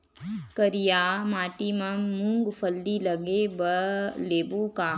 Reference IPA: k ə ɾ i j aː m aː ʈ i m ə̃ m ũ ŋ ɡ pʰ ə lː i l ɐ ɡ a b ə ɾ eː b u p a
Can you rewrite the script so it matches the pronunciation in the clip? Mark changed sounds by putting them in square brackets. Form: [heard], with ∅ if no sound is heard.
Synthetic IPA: k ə ɾ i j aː m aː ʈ i m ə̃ m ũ ŋ ɡ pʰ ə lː i l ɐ ɡ [e] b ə [l] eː b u [k] a